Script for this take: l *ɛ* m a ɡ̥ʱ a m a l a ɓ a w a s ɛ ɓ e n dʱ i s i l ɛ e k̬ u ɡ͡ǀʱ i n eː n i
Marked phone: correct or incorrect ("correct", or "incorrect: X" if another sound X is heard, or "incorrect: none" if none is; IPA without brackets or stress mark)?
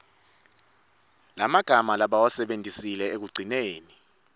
incorrect: a